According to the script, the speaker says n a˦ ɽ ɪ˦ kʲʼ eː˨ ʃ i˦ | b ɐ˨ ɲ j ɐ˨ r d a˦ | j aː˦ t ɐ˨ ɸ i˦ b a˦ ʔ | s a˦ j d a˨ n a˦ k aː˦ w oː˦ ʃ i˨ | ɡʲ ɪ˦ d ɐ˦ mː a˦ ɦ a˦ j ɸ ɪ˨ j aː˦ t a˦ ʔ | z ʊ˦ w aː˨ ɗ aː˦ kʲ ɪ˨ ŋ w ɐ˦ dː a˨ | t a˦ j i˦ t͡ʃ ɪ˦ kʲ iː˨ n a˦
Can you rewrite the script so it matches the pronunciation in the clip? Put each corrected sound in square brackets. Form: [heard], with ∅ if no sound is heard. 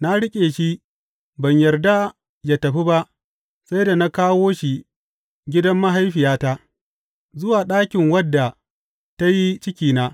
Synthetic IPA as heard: n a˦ ɽ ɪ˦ kʲʼ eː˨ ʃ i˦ | b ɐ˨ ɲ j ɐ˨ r d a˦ | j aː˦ t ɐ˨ ɸ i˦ b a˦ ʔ | s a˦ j d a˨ n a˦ k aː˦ w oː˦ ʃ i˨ | ɡʲ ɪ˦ d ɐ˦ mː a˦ ɦ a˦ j ɸ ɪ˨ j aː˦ t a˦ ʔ | z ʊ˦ w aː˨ ɗ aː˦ kʲ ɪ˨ ŋ w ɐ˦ dː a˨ | t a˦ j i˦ t͡ʃ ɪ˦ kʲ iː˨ n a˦